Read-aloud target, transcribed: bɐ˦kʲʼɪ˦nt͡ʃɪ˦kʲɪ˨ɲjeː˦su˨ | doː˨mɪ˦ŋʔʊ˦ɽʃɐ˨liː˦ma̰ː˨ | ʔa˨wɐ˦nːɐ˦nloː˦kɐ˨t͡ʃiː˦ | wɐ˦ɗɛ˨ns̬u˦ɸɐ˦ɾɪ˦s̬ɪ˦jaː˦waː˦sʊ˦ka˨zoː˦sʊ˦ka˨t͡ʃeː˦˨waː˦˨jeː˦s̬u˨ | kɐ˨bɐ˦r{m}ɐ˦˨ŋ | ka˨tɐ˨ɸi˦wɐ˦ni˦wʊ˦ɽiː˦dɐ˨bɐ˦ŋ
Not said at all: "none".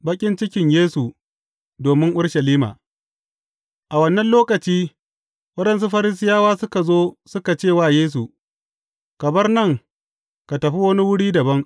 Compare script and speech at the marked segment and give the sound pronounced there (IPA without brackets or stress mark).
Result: n